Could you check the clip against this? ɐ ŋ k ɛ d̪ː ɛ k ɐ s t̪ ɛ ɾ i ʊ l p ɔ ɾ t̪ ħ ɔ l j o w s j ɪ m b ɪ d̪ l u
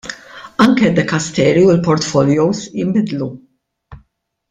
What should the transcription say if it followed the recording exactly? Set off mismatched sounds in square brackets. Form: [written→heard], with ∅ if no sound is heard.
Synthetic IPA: ɐ ŋ k ɛ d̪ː ɛ k ɐ s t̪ [ɛ→ɛː] ɾ i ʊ l p ɔ ɾ t̪ [ħ→f] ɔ l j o w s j ɪ m b ɪ d̪ l u